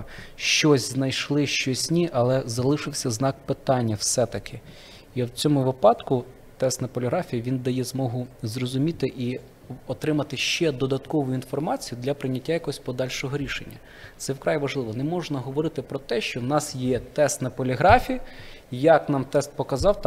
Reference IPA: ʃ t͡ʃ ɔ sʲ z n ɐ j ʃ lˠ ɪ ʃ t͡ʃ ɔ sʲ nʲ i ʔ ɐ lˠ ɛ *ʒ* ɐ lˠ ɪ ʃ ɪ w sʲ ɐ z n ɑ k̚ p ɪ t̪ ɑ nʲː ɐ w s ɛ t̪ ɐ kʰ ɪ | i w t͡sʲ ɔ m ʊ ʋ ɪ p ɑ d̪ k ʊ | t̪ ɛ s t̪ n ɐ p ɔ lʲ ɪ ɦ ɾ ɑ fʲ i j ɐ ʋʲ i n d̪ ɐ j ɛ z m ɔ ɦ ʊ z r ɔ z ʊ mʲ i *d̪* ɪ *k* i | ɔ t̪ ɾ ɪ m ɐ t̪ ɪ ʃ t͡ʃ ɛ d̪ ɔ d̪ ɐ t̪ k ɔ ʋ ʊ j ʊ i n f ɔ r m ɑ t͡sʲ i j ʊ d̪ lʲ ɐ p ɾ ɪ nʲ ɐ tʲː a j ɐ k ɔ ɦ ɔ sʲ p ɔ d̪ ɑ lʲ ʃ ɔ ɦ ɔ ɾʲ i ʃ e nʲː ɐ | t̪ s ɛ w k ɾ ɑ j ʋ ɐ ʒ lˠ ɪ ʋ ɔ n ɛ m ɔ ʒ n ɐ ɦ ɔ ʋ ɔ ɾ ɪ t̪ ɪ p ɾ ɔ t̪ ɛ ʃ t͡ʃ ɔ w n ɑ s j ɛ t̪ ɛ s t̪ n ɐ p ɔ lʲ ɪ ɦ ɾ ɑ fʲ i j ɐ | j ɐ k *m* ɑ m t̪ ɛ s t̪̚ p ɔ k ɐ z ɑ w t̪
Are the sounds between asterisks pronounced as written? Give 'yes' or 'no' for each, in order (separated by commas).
no, no, no, no